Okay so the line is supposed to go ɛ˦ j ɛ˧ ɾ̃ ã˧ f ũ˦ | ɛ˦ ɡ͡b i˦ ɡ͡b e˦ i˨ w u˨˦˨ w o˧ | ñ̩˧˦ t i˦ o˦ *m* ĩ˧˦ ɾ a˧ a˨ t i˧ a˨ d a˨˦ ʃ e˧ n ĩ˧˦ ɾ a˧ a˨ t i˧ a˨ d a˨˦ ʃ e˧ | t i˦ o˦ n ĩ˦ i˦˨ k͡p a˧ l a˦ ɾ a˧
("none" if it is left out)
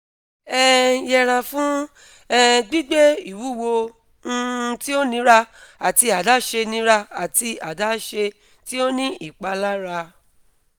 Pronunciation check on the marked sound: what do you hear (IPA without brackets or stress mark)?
n